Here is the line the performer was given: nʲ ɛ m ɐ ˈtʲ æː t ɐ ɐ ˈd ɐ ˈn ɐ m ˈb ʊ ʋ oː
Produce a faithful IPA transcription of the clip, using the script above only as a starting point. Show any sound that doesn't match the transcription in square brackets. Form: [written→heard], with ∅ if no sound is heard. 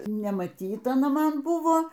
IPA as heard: nʲ ɛ m ɐ ˈtʲ [æː→iː] t ɐ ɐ [ˈd→ˈn] ɐ [ˈn→ˈm] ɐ [m→n] ˈb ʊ ʋ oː